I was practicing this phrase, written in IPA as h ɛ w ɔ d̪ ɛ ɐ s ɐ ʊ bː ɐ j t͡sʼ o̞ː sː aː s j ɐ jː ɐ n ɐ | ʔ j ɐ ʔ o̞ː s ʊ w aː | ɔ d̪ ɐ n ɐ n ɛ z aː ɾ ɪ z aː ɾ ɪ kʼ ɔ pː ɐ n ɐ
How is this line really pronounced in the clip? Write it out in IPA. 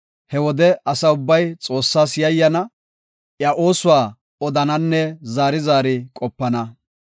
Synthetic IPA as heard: h ɛ w ɔ d̪ ɛ ɐ s ɐ ʊ bː ɐ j t͡sʼ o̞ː sː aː s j ɐ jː ɐ n ɐ | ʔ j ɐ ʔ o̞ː s ʊ w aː | ɔ d̪ ɐ n ɐ nː ɛ z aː ɾ ɪ z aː ɾ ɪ kʼ ɔ pː ɐ n ɐ

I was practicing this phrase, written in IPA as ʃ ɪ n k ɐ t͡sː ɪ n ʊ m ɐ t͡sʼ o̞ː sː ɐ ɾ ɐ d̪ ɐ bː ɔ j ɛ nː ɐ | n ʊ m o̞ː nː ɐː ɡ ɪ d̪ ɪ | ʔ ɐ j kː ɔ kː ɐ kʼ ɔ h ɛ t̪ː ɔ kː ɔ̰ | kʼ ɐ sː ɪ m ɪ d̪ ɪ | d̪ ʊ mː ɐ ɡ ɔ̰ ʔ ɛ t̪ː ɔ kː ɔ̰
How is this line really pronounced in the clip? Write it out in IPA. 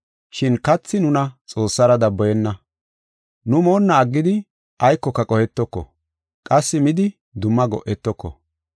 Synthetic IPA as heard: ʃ ɪ n k ɐ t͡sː ɪ n ʊ n ɐ t͡sʼ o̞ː sː ɐ ɾ ɐ d̪ ɐ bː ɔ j ɛ nː ɐ | n ʊ m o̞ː nː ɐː ɡː ɪ d̪ ɪ | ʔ ɐ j kː ɔ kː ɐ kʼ ɔ h ɛ t̪ː ɔ kː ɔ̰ | kʼ ɐ sː ɪ m ɪ d̪ ɪ | d̪ ʊ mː ɐ ɡ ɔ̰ ʔ ɛ t̪ː ɔ kː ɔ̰

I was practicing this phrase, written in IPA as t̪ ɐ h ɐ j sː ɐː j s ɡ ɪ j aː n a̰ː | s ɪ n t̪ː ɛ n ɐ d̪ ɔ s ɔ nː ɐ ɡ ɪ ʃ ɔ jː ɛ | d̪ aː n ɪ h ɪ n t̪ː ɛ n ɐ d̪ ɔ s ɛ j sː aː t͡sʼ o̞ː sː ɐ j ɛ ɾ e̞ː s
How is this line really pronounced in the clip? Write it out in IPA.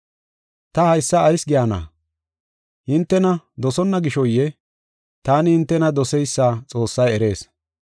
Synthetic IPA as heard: t̪ ɐ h ɐ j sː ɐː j s ɡ ɪ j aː n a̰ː | h ɪ n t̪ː ɛ n ɐ d̪ ɔ s ɔ nː ɐ ɡ ɪ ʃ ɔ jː ɛ | t̪ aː n ɪ h ɪ n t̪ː ɛ n ɐ d̪ ɔ s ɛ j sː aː t͡sʼ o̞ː sː ɐ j ɛ ɾ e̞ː s

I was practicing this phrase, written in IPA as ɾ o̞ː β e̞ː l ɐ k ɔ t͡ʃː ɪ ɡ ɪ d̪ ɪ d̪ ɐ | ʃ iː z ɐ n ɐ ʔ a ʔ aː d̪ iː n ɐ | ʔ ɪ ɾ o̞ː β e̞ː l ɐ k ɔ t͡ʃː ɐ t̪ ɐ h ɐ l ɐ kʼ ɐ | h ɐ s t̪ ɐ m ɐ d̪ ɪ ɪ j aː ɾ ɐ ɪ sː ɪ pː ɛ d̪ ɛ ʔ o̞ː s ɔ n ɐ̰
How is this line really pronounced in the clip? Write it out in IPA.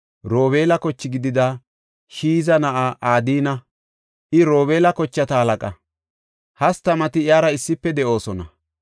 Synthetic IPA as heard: ɾ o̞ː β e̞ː l ɐ k ɔ t͡ʃː ɪ ɡ ɪ d̪ ɪ d̪ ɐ | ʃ iː z ɐ n ɐ ʔ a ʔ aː d̪ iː n ɐ | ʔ ɪ ɾ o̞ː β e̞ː l ɐ k ɔ t͡ʃː ɐ t̪ ɐ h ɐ l ɐ kʼ ɐ | h ɐ s t̪ ɐ m ɐ t̪ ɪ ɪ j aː ɾ ɐ ɪ sː ɪ pː ɛ d̪ ɛ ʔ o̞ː s ɔ n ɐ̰

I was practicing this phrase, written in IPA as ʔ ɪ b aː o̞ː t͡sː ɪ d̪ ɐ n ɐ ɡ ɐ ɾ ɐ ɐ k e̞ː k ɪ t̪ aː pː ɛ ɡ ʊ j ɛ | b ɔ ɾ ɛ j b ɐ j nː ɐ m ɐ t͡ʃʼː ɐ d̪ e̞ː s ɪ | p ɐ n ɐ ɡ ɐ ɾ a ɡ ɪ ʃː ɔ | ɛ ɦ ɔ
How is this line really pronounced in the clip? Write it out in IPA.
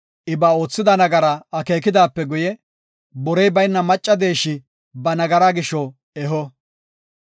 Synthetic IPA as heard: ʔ ɪ b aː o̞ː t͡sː ɪ d̪ ɐ n ɐ ɡ ɐ ɾ ɐ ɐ k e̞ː k ɪ d̪ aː pː ɛ ɡ ʊ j ɛ | b ɔ ɾ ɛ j b ɐ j nː ɐ m ɐ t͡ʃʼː ɐ d̪ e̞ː ʃ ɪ | b ɐ n ɐ ɡ ɐ ɾ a ɡ ɪ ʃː ɔ | ɛ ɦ ɔ

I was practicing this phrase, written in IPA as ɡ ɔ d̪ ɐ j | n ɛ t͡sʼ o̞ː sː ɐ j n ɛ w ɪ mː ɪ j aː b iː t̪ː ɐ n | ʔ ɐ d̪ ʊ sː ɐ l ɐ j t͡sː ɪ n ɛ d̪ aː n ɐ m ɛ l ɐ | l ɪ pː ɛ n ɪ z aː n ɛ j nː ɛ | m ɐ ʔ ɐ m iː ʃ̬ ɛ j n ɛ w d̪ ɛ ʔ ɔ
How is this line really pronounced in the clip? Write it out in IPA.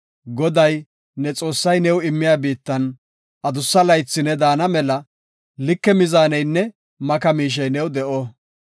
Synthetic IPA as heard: ɡ ɔ d̪ ɐ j | n ɛ t͡sʼ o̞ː sː ɐ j n ɛ w ɪ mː ɪ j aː b iː t̪ː ɐ n | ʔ ɐ d̪ ʊ sː ɐ l ɐ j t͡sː ɪ n ɛ d̪ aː n ɐ m ɛ l ɐ | l ɪ kː ɛ m ɪ z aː n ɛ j nː ɛ | m ɐ k ɐ m iː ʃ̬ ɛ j n ɛ w d̪ ɛ ʔ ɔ

